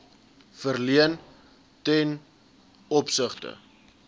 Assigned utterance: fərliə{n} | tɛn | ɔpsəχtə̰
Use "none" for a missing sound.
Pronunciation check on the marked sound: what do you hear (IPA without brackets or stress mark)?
n